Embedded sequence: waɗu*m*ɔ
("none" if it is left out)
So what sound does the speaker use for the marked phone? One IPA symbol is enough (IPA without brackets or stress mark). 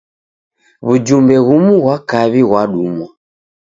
m